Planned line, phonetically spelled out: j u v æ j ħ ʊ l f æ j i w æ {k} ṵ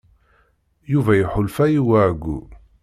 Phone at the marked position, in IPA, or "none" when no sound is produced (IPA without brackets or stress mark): ɡ